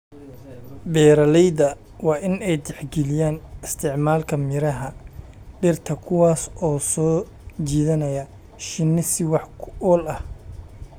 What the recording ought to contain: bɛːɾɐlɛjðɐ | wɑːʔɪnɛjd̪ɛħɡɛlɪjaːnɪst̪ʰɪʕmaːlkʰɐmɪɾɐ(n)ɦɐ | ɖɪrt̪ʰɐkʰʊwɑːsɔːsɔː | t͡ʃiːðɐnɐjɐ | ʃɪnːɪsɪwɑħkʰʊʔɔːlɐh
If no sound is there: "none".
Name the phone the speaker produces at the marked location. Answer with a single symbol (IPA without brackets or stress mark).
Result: none